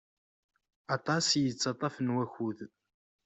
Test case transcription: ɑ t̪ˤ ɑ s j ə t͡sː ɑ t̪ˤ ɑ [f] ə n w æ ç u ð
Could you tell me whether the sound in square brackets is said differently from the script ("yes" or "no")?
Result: no